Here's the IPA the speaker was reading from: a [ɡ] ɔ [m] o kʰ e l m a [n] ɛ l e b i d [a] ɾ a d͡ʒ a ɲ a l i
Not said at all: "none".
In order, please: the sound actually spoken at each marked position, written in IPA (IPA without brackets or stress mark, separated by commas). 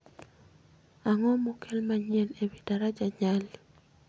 ŋ, m, ɲ, a